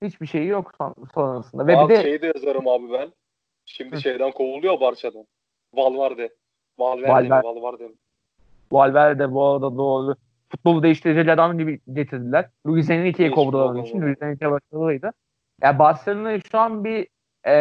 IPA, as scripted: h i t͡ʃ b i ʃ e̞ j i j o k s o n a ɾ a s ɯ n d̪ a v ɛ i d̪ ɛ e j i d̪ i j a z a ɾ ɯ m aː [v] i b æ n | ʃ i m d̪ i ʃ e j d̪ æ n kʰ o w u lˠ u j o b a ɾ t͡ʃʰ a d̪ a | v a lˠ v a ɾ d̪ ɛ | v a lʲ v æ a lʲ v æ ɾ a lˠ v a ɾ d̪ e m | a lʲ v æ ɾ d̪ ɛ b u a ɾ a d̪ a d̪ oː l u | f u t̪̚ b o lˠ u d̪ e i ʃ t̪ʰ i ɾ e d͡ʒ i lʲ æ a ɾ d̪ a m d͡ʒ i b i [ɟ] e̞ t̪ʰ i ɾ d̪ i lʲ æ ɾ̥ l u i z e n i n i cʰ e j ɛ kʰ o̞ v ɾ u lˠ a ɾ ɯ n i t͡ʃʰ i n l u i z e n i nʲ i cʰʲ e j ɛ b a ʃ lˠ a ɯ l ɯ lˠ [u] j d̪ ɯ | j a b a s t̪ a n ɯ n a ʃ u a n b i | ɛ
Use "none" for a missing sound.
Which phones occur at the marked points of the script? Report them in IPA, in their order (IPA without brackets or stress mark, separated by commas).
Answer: b, ɟ, ɯ